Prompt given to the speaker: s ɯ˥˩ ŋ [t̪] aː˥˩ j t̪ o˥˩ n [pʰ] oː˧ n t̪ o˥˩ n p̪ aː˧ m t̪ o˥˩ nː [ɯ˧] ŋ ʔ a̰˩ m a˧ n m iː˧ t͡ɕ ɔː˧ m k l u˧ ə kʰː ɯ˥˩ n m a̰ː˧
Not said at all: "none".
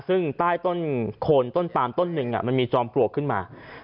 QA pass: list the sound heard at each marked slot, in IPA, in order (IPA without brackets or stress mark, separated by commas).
t̪, kʰ, ɯ˧